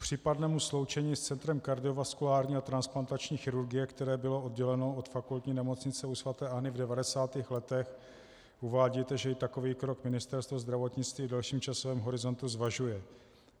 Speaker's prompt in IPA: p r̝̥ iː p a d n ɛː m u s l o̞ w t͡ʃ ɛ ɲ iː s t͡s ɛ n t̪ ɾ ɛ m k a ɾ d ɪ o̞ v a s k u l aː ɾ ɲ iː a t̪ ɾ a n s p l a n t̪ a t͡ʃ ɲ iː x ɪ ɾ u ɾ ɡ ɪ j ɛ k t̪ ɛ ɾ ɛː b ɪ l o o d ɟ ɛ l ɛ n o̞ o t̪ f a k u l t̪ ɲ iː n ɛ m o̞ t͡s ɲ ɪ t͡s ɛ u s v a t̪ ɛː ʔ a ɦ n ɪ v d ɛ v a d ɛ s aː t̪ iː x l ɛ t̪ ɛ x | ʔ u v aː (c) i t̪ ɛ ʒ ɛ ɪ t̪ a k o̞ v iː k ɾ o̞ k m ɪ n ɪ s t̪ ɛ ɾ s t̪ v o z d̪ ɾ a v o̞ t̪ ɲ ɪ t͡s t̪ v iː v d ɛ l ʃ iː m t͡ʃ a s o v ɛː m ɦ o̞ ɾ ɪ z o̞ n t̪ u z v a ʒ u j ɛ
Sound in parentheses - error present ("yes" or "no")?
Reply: yes